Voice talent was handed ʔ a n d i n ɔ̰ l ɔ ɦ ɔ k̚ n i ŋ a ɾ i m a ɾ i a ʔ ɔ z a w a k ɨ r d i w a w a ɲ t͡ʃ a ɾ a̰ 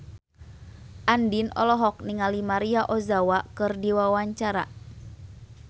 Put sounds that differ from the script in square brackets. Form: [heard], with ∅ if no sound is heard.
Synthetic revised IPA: ʔ a n d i n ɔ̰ l ɔ ɦ ɔ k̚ n i ŋ a [l] i m a ɾ i a ʔ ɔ z a w a k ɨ r d i w a w a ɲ t͡ʃ a ɾ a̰